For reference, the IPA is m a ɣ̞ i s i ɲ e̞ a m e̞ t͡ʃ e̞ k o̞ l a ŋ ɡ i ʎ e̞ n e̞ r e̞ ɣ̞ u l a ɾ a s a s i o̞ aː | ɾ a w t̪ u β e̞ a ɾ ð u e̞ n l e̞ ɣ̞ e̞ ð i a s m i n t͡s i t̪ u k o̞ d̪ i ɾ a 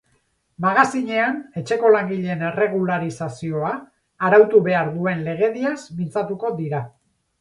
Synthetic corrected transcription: m a ɣ̞ a s i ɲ e̞ a n e̞ t͡ʃ e̞ k o̞ l a ŋ ɡ i ʎ e̞ n e̞ r e̞ ɣ̞ u l a ɾ i s a s i o̞ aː | ɾ a w t̪ u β e̞ a ɾ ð u e̞ n l e̞ ɣ̞ e̞ ð i a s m i n t͡s a t̪ u k o̞ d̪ i ɾ a